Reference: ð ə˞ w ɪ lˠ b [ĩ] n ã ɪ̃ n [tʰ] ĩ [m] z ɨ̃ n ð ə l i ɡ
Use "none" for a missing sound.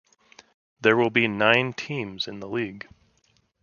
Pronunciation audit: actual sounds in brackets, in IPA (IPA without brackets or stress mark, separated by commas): i, tʰ, m